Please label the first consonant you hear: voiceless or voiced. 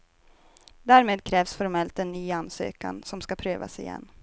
voiced